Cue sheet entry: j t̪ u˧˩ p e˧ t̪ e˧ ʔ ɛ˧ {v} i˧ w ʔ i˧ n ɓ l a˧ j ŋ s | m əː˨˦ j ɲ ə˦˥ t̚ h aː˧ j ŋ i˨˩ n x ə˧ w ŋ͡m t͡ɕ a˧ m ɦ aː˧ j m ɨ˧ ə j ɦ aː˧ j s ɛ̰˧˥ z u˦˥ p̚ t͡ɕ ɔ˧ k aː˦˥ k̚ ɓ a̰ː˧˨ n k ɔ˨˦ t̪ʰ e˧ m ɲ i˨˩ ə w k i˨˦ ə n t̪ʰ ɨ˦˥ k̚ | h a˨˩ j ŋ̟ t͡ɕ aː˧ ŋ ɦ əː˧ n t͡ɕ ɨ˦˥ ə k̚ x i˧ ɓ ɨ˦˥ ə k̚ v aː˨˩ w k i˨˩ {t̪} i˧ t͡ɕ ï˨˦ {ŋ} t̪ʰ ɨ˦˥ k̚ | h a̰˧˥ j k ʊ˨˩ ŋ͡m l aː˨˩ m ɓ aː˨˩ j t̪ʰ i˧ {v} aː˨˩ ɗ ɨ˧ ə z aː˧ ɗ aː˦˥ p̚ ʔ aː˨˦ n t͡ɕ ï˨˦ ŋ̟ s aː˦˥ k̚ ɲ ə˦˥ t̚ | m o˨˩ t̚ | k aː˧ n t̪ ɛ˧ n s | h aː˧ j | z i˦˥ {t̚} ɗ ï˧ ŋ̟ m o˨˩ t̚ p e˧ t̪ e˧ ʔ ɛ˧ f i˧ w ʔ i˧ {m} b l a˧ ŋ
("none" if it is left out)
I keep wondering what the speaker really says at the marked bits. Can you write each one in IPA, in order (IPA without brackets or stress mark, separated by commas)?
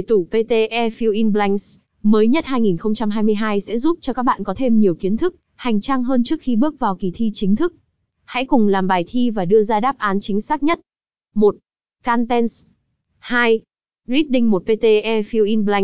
f, t̪ʰ, ŋ, v, t̚, n